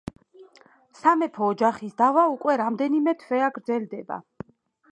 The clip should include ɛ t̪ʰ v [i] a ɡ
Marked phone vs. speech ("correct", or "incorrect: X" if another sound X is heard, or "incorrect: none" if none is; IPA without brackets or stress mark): incorrect: ɛ